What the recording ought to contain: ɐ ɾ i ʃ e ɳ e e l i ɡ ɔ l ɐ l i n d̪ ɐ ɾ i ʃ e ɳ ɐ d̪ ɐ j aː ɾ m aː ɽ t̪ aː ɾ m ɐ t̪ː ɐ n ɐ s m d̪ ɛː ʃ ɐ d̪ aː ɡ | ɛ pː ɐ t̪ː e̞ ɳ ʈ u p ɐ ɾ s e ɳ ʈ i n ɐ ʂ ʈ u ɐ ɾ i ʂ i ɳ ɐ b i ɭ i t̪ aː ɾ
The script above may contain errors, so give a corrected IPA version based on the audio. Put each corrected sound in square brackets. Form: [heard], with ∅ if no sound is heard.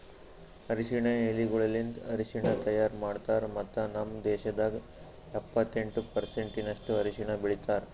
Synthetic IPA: ɐ ɾ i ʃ [i] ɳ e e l i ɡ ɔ [ɭ] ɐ l i n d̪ ɐ ɾ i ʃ [i] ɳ ɐ [t̪] ɐ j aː ɾ m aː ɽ t̪ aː ɾ m ɐ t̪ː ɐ n ɐ [∅] m d̪ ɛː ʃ ɐ d̪ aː ɡ | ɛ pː ɐ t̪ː e̞ ɳ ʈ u p ɐ ɾ s e ɳ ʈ i n ɐ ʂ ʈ u ɐ ɾ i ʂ i ɳ ɐ b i ɭ i t̪ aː ɾ